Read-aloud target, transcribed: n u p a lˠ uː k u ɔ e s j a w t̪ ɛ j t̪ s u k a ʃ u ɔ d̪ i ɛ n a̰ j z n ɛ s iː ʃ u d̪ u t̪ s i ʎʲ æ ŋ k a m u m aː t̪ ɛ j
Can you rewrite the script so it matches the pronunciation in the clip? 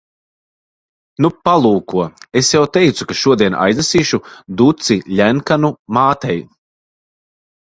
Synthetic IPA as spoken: n u p a lˠ uː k u ɔ e s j a w t̪ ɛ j t̪ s u k a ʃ u ɔ d̪ i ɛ n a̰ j z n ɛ s iː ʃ u d̪ u t̪ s i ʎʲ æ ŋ k a n u m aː t̪ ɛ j